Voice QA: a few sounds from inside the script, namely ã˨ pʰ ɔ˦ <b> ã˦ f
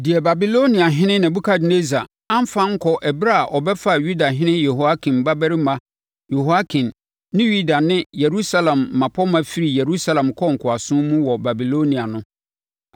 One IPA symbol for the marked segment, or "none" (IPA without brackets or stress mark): m